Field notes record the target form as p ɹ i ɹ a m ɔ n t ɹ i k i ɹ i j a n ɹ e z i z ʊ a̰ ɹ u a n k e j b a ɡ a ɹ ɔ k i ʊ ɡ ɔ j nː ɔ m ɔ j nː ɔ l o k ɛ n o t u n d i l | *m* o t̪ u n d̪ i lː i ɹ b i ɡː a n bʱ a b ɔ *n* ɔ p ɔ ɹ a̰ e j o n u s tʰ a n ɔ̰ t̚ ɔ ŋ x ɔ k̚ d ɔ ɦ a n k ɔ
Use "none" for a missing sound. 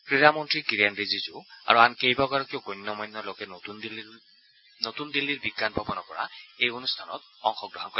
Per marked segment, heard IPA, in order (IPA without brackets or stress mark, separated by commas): n, n